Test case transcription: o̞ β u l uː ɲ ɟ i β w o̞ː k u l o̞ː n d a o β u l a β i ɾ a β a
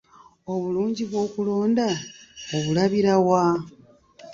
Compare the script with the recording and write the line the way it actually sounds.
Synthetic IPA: o̞ β u l uː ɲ ɟ i β w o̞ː k u l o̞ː n d a o β u l a β i ɾ a w a